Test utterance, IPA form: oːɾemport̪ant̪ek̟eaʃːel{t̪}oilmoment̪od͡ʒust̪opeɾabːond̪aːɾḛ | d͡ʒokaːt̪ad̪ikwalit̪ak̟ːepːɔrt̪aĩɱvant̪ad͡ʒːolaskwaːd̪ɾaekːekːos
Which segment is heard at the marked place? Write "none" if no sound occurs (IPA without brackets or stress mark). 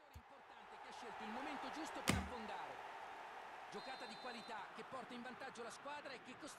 t̪